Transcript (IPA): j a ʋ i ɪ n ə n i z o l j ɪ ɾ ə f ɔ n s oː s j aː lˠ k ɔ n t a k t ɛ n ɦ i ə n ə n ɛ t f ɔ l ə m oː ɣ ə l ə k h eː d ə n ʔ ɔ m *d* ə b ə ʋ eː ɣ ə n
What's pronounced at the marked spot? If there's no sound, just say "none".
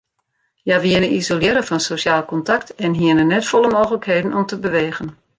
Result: t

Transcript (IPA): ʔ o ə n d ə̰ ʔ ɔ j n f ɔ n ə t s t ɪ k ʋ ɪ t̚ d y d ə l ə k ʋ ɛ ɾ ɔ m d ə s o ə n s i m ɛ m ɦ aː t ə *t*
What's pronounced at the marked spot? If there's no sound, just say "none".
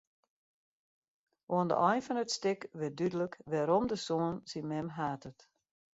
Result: t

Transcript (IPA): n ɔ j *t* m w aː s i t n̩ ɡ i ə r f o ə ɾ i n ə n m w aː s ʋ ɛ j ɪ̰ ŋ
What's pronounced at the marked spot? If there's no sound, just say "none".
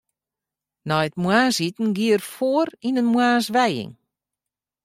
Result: t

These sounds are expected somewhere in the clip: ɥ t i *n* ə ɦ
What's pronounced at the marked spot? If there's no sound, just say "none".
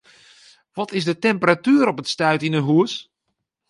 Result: n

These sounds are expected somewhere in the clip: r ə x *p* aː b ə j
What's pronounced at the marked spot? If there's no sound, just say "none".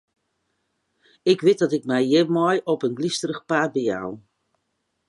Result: p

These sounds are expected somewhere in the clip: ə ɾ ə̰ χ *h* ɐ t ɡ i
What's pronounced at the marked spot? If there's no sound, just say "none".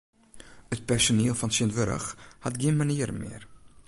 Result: h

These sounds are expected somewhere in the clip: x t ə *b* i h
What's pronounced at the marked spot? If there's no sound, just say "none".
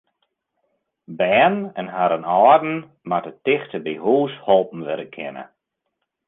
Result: b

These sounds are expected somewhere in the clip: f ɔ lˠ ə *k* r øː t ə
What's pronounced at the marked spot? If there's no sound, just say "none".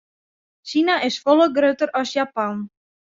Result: ɡ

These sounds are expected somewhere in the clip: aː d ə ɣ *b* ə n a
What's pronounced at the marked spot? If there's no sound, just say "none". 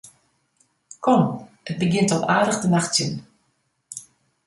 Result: d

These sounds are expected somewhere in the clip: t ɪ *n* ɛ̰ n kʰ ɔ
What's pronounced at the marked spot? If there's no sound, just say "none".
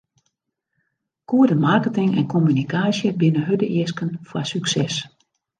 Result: ŋ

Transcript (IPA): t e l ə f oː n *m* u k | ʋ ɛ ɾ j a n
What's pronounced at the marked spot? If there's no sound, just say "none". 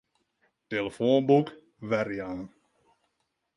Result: b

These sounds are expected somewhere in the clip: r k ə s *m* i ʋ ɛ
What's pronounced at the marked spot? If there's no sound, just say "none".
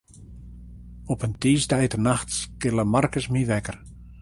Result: m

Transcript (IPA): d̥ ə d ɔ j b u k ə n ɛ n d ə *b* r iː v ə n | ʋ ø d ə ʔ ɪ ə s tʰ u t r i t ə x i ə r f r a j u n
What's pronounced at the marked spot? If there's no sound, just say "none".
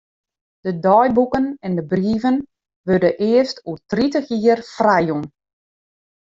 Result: b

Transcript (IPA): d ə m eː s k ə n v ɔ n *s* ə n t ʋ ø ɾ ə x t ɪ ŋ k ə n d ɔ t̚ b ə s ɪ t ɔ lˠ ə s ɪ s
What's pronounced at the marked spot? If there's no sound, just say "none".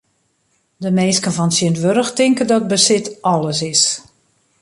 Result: s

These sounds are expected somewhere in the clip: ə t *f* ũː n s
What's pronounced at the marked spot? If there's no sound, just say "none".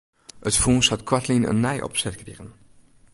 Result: f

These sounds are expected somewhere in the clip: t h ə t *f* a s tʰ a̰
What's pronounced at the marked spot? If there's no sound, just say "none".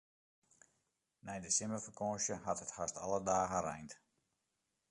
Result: h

